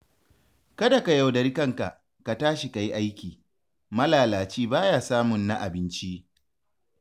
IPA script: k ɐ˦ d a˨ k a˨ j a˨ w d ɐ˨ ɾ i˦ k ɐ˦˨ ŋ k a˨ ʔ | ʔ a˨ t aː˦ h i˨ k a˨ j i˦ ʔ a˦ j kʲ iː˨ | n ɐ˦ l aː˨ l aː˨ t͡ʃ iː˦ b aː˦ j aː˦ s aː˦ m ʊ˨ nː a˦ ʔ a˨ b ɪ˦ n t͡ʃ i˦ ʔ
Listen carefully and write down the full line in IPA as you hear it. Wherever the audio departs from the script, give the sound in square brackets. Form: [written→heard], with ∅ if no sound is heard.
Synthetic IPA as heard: k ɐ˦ d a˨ k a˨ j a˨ w d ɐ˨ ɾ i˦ k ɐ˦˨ ŋ k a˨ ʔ | [ʔ→k] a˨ t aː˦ [h→ʃ] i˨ k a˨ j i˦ ʔ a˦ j kʲ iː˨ | [n→m] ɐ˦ l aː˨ l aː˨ t͡ʃ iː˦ b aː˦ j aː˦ s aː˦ m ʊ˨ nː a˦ ʔ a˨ b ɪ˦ n t͡ʃ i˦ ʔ